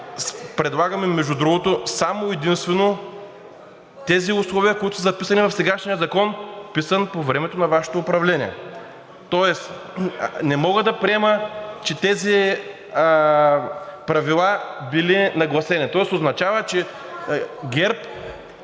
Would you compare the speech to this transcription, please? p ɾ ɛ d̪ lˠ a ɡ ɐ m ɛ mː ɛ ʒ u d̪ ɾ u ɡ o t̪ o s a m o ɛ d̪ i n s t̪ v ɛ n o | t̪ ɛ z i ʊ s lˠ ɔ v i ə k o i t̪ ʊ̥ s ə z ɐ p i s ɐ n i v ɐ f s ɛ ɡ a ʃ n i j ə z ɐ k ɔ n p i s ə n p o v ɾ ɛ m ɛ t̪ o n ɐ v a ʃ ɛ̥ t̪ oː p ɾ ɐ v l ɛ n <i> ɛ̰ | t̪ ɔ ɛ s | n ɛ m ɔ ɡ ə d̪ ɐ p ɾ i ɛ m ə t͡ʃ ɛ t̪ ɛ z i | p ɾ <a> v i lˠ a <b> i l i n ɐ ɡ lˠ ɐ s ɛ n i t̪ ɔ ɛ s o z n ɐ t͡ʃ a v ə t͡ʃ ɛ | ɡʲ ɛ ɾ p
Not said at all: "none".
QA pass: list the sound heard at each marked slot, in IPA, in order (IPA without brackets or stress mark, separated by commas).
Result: i, ɐ, b